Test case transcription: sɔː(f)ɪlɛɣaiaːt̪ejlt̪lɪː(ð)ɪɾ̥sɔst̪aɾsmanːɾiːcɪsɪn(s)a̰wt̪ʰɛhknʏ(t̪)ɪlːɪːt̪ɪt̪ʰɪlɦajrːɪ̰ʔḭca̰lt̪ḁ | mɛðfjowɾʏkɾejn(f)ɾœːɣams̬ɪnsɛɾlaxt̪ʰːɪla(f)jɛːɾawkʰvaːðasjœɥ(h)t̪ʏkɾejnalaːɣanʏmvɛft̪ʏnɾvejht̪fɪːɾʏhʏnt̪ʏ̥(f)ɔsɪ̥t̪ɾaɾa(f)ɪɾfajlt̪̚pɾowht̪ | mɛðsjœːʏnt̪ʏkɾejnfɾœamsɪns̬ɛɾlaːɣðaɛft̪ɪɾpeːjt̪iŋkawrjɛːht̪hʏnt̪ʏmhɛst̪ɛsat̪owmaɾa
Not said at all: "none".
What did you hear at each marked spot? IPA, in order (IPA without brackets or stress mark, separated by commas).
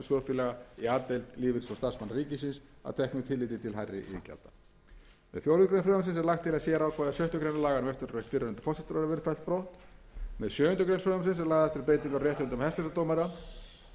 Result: f, v, s, t̪ʰ, f, s, h, f, v